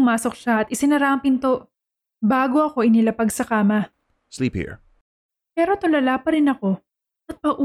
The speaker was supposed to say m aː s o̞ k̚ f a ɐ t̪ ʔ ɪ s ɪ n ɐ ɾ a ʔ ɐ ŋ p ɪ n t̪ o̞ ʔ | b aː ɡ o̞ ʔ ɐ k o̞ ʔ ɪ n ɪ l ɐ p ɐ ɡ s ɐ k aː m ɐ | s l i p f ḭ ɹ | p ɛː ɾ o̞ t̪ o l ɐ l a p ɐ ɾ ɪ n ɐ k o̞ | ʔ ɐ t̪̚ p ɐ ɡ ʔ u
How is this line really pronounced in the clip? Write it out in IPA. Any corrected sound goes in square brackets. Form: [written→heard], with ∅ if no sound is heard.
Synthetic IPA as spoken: m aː s o̞ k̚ [f→ʃ] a ɐ t̪ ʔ ɪ s ɪ n ɐ ɾ a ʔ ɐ ŋ p ɪ n t̪ o̞ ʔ | b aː ɡ o̞ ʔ ɐ k o̞ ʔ ɪ n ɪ l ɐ p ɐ ɡ s ɐ k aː m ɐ | s l i p [f→h] ḭ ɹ | p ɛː ɾ o̞ t̪ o l ɐ l a p ɐ ɾ ɪ n ɐ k o̞ | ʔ ɐ t̪̚ p ɐ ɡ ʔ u